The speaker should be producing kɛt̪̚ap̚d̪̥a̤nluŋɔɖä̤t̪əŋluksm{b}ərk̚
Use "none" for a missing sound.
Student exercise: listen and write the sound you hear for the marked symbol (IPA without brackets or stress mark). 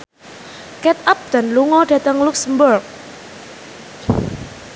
b